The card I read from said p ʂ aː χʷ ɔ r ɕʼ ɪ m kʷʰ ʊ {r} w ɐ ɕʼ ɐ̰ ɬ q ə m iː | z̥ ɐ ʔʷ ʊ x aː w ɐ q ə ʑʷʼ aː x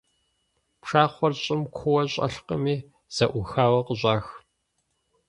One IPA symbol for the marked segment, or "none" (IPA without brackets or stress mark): none